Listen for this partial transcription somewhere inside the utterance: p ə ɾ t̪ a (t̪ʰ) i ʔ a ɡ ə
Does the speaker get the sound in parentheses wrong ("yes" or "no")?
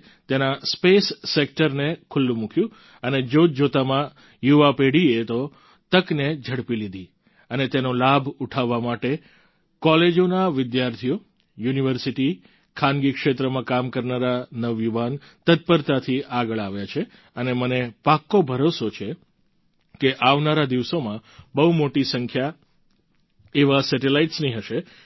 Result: no